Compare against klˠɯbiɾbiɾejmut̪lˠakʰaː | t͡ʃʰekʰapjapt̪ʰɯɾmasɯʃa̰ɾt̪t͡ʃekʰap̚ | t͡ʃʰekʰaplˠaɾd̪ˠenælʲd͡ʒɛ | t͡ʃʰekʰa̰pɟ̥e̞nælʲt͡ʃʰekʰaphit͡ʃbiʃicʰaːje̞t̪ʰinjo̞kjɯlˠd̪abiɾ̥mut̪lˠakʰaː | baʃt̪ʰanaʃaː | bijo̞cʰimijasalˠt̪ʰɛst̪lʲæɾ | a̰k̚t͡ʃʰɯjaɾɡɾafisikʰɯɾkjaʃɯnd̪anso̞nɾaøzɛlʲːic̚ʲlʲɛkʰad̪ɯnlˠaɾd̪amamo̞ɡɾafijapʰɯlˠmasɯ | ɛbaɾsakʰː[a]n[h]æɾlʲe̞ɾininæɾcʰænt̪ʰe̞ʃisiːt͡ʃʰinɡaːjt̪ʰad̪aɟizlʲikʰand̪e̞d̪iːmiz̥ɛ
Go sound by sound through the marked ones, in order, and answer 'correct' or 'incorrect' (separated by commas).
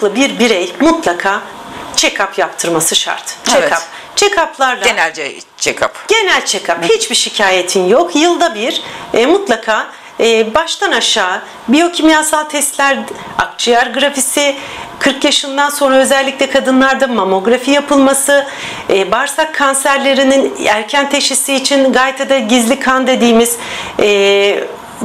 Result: correct, incorrect